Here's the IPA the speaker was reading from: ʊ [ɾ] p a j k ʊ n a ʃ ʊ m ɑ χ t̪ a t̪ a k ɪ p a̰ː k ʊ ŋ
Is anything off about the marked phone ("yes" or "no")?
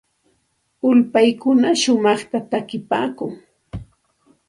yes